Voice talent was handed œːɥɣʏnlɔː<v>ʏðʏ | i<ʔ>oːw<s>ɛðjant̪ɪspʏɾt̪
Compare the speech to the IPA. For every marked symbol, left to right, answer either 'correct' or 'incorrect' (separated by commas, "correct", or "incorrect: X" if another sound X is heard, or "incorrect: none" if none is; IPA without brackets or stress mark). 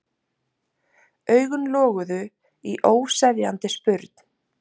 incorrect: ɣ, correct, correct